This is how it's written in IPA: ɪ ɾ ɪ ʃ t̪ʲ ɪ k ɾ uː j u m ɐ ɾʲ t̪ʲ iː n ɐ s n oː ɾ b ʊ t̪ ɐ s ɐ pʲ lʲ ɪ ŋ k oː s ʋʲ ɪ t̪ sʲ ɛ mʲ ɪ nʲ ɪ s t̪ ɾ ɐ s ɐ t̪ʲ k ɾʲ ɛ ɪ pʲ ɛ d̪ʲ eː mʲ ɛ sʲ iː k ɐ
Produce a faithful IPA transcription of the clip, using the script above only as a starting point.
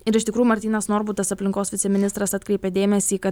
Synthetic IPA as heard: ɪ ɾ ɪ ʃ t̪ʲ ɪ k ɾ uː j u m ɐ ɾʲ t̪ʲ iː n ɐ s n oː ɾ b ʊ t̪ ɐ s ɐ pʲ lʲ ɪ ŋ k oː s ʋʲ ɪ t̪ sʲ ɛ mʲ ɪ nʲ ɪ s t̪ ɾ ɐ s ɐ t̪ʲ k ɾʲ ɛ ɪ pʲ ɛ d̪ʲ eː mʲ ɛ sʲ iː k ɐ